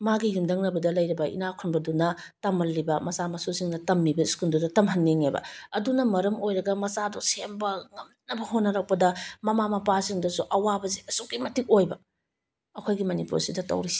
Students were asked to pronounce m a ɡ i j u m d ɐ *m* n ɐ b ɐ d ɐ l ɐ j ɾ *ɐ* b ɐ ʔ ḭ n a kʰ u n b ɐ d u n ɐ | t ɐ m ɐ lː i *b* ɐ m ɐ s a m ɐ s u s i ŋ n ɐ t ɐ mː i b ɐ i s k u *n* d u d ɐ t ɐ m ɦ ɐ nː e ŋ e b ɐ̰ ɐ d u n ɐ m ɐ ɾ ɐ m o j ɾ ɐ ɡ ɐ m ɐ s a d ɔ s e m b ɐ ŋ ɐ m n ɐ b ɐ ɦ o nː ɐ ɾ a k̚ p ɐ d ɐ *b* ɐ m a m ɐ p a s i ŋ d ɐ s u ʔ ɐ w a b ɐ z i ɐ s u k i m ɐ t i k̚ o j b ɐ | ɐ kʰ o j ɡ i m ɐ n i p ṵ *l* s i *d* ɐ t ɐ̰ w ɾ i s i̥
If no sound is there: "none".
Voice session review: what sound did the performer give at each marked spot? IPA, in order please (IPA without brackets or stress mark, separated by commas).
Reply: ŋ, ɐ, b, n, m, ɾ, d